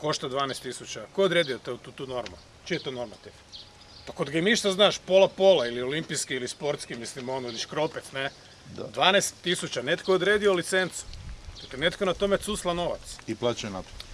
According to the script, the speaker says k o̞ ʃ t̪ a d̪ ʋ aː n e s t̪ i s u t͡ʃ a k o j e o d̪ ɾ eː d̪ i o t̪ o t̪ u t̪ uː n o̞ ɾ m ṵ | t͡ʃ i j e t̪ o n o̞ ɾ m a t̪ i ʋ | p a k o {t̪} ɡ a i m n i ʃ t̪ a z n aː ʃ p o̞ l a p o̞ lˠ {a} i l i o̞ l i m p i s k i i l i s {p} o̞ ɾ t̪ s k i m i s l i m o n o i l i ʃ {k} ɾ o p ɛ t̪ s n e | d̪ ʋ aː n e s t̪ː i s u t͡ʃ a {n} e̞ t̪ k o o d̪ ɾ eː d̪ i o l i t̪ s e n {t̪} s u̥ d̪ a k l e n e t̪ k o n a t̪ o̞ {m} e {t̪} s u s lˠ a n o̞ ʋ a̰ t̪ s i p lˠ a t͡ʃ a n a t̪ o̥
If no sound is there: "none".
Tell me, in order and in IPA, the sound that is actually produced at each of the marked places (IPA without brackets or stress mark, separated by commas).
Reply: d̪, a, p, k, n, t̪, m, t̪